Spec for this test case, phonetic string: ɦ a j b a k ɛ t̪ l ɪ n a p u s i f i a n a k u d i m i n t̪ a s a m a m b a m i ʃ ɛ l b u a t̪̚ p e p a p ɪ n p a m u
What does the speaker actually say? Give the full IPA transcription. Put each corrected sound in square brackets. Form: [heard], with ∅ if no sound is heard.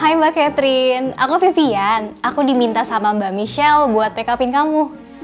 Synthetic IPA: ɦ a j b a k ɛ t̪ [ɾ] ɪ n a [k] u [f] i f i a n a k u d i m i n t̪ a s a m a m b a m i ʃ ɛ l b u a t̪̚ p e [k] a p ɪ n [k] a m u